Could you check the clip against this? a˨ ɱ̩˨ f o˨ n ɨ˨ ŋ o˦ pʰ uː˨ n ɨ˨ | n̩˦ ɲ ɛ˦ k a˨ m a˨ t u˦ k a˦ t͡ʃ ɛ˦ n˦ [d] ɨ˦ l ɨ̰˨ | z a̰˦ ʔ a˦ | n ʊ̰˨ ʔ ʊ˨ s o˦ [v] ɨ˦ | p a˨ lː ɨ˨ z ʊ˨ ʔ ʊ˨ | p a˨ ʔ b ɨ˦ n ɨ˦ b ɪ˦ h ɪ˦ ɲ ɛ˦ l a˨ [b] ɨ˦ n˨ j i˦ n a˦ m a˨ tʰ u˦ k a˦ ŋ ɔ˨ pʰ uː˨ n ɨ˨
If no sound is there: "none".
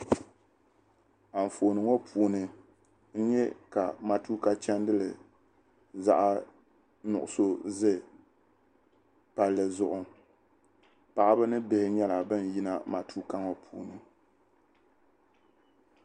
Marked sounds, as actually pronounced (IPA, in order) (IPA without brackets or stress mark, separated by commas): d, z, b